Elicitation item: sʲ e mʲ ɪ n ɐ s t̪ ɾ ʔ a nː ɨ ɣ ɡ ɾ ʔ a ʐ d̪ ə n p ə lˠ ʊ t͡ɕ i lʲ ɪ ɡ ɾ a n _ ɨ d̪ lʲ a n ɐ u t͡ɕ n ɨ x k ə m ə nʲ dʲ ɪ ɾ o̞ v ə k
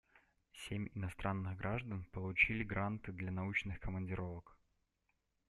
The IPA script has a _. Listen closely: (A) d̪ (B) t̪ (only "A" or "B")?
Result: B